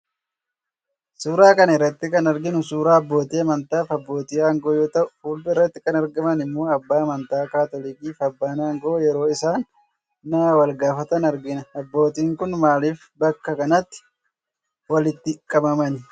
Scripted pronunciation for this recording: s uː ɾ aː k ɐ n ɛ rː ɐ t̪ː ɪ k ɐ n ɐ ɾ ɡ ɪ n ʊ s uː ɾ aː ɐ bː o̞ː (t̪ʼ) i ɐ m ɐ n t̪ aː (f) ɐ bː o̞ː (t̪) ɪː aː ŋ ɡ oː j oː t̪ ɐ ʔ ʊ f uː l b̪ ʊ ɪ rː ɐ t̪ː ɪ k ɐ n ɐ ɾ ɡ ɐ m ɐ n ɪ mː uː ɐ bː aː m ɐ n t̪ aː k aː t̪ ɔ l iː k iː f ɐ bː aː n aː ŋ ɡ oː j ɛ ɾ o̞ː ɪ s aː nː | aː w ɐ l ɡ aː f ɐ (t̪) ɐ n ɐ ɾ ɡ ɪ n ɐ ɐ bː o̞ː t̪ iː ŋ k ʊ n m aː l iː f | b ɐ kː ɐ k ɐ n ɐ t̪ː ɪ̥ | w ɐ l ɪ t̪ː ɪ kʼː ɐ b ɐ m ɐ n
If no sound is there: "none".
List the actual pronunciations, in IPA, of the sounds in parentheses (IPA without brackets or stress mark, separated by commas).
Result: t̪, f, t̪, t̪